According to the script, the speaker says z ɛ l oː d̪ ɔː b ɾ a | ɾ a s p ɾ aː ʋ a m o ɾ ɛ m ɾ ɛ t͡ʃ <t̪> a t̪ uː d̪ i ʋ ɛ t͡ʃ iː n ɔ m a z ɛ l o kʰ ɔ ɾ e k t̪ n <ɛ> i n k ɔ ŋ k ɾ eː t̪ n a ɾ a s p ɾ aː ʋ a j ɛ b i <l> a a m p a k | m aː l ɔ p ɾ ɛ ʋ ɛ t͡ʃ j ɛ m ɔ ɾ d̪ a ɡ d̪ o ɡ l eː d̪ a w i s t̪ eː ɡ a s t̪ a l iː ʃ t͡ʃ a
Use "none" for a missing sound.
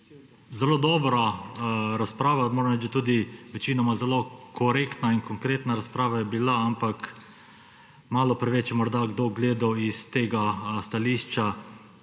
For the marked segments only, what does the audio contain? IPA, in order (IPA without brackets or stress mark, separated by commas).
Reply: d̪, a, l